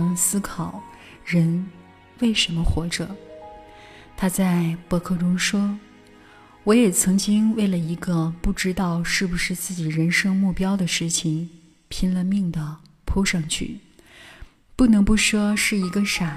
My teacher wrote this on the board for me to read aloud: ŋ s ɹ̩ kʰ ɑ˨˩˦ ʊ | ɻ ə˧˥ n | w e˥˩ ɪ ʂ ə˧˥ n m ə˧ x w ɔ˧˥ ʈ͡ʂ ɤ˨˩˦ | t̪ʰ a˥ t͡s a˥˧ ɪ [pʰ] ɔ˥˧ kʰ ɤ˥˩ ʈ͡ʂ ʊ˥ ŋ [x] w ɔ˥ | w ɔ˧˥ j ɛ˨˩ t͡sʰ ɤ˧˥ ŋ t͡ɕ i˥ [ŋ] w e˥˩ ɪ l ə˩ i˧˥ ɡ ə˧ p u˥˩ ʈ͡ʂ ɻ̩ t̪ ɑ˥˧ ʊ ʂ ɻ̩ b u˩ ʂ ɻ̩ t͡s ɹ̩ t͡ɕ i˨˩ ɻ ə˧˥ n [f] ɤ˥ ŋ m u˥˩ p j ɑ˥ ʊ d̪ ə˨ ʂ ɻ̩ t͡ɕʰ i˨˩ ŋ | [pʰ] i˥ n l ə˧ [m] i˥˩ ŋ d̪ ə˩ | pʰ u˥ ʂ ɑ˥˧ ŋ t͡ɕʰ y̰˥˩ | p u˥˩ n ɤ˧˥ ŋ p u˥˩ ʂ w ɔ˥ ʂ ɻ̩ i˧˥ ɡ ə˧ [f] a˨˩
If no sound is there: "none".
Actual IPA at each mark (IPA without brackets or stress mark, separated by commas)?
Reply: p, ʂ, ŋ, ʂ, pʰ, m, ʂ